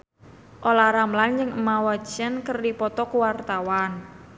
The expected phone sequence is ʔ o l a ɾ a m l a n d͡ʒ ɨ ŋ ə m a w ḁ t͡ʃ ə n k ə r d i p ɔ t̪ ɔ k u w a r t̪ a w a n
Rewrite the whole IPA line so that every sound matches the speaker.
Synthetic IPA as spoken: ʔ o l a ɾ a m l a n d͡ʒ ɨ ŋ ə m a w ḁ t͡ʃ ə n k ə r d i p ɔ t̪ ɔ k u w a r t̪ a w a n